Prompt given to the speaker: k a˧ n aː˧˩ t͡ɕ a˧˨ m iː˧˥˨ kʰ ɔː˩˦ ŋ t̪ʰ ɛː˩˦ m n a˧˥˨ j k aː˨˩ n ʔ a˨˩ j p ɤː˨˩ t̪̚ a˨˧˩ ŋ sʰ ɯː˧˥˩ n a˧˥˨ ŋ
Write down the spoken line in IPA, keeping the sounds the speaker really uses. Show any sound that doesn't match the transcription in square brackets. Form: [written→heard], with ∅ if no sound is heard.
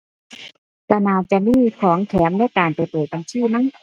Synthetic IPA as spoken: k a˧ n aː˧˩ t͡ɕ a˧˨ m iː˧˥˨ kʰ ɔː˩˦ ŋ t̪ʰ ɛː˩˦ m n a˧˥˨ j k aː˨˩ n [ʔ→p] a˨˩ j p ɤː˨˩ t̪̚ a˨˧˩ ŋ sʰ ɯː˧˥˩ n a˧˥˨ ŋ